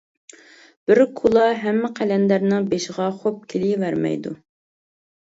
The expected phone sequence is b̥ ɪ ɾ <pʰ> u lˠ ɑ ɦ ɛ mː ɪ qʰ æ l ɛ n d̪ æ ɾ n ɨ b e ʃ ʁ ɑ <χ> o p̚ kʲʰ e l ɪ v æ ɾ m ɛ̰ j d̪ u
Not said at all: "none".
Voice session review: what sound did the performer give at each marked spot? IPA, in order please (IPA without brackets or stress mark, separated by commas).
kʰ, χ